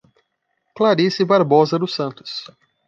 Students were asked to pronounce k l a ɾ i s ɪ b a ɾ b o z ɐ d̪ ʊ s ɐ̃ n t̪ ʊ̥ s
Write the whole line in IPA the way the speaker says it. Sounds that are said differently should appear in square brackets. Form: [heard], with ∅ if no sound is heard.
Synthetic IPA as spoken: k l a ɾ i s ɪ b a ɾ b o z ɐ d̪ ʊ s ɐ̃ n t̪ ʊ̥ s